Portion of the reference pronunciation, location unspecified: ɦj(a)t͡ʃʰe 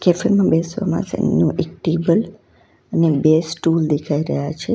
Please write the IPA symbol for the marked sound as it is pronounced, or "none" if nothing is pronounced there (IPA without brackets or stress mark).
a